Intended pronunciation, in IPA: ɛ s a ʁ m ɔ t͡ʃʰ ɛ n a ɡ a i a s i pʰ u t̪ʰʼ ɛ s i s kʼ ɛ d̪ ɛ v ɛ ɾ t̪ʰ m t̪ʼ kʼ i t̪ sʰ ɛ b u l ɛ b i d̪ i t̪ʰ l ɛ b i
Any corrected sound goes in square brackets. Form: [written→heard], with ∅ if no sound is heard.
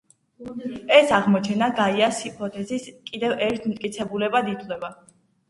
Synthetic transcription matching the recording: ɛ s a ʁ m ɔ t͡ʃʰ ɛ n a ɡ a i a s i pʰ [u→ɔ] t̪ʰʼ ɛ [s→z] i s kʼ [ɛ→i] d̪ ɛ v ɛ ɾ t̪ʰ m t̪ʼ kʼ i t̪ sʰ ɛ b u l ɛ b [i→a] d̪ i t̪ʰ l ɛ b [i→a]